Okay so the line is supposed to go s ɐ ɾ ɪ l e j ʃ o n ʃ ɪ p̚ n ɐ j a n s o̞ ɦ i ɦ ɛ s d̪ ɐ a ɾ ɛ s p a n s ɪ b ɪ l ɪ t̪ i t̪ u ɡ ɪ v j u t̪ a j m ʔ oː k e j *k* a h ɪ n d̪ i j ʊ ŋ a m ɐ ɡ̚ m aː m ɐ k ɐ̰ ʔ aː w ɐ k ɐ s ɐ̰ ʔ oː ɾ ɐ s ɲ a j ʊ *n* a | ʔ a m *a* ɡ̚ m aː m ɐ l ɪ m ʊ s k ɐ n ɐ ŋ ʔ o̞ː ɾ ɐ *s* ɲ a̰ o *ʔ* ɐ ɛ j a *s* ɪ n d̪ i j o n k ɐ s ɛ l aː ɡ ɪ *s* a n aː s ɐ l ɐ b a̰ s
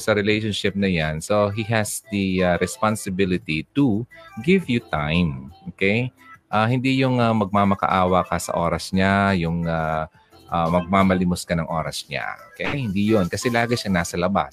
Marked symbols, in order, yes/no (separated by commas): no, no, no, yes, no, no, no